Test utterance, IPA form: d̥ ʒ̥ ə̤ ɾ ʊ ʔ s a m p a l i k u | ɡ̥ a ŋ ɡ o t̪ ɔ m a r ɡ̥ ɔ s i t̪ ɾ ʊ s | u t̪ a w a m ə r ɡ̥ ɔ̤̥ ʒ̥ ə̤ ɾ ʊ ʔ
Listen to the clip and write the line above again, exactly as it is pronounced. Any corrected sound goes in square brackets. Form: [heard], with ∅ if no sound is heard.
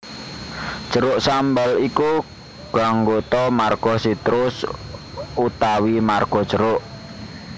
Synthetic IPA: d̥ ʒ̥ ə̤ ɾ ʊ ʔ s a m [b] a l i k u | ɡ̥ a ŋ ɡ o t̪ ɔ m a r ɡ̥ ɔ s i t̪ ɾ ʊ s | u t̪ a w [i] m [a] r ɡ̥ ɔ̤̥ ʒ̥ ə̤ ɾ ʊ ʔ